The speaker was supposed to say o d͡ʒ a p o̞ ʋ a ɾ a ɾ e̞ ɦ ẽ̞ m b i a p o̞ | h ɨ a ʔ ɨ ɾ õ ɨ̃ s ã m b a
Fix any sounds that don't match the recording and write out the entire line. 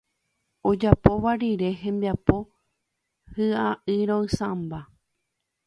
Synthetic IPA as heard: o d͡ʒ a p o̞ ʋ a ɾ i ɾ e̞ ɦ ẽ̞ m b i a p o̞ | h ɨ a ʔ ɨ ɾ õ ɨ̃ s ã m b a